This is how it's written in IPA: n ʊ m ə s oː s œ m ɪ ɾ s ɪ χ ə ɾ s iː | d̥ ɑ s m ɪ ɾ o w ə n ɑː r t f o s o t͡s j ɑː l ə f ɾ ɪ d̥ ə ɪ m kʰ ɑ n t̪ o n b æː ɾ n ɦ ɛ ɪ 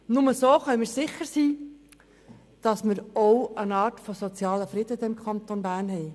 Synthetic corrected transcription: n ʊ m ə s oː χ œ m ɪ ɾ s ɪ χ ə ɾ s iː | d̥ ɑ s m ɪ ɾ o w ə n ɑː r t f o s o t͡s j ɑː l ə f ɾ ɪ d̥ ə ɪ m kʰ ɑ n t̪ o n b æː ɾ n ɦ ɛ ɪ